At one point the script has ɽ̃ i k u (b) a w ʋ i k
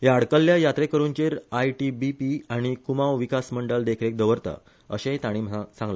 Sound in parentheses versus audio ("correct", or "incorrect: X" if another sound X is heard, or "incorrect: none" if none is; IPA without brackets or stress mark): incorrect: m